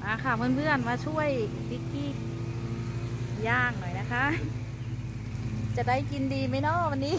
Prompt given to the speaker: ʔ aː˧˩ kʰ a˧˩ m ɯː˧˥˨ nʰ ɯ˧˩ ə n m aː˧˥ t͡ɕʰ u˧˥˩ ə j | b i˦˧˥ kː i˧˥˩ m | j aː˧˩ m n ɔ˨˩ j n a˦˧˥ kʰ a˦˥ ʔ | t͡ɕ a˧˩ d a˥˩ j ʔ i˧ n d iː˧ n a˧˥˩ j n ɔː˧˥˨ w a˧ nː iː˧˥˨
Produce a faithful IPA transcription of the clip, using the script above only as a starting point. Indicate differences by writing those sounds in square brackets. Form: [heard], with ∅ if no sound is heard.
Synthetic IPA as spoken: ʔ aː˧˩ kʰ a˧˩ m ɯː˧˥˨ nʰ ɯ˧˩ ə n m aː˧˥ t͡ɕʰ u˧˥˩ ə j | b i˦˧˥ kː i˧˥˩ [∅] | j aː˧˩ [ŋ] n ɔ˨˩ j n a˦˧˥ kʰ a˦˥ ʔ | t͡ɕ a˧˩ d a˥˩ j [k] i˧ n d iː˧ [m] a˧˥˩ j n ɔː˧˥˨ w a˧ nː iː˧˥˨

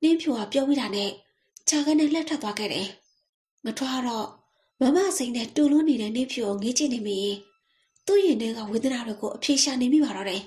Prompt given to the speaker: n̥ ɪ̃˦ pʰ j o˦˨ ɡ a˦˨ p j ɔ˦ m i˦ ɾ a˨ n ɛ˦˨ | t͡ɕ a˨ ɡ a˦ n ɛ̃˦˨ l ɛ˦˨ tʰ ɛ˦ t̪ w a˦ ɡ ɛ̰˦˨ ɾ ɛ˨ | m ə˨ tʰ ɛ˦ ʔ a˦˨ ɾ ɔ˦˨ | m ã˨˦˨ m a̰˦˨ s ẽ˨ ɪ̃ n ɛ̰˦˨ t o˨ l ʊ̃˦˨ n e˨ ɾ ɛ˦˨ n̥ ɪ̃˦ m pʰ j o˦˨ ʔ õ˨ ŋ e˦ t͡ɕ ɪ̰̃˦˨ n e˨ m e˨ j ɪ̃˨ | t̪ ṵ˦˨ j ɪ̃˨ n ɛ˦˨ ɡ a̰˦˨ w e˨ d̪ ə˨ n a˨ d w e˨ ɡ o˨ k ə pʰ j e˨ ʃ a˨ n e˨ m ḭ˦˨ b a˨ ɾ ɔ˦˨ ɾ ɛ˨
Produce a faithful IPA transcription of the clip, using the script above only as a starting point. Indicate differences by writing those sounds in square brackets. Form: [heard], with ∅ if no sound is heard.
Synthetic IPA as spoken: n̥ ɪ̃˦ pʰ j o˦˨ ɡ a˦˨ p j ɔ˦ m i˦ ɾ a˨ n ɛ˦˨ | t͡ɕ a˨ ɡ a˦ n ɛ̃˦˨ l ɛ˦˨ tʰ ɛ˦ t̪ w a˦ ɡ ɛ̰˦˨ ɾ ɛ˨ | [ŋ] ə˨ tʰ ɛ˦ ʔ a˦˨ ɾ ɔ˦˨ | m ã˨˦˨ m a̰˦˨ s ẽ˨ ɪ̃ n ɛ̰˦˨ t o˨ l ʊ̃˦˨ n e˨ ɾ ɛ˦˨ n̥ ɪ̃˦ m pʰ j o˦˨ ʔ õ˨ ŋ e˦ t͡ɕ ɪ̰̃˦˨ n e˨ m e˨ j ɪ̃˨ | t̪ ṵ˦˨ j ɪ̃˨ n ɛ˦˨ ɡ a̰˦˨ w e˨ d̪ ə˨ n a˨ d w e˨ ɡ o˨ [ʔ] ə pʰ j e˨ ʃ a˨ n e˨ m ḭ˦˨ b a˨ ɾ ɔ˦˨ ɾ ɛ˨

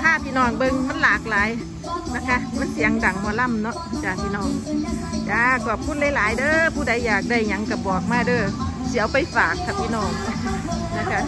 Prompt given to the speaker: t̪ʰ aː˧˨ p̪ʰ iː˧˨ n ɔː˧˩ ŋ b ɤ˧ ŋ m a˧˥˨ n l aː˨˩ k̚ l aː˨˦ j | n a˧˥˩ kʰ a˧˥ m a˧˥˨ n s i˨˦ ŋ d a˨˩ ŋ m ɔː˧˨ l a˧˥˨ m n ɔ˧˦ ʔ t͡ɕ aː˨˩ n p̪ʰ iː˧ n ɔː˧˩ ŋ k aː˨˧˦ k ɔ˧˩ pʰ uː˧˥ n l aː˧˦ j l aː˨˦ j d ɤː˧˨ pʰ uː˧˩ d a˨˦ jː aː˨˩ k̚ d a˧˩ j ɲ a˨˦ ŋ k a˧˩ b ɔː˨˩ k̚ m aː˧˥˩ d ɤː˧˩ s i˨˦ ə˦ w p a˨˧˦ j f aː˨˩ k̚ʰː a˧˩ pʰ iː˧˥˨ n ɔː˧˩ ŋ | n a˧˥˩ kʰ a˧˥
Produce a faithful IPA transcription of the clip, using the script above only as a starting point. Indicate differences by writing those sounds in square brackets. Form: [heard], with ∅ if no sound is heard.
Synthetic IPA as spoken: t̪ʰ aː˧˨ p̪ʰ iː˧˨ n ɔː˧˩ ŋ b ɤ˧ ŋ m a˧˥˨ n l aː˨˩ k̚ l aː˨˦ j | n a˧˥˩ kʰ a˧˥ m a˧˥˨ n s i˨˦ ŋ d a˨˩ ŋ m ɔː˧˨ l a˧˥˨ m n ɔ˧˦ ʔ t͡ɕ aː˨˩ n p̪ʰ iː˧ n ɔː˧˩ ŋ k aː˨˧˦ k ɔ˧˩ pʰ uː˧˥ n l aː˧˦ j l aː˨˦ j d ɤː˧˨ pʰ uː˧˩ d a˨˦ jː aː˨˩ k̚ d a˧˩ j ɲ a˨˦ ŋ k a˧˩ b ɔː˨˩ k̚ m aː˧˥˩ d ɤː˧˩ s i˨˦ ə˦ w p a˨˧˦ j f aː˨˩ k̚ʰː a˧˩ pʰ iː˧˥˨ n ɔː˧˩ ŋ | n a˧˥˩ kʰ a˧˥

